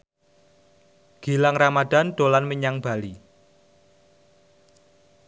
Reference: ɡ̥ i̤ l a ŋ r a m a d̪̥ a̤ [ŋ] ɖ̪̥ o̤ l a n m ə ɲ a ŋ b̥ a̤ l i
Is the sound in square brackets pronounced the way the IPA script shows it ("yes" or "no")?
no